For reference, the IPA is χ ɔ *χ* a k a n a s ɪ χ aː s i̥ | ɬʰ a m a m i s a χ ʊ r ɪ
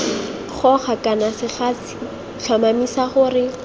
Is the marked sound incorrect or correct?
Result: correct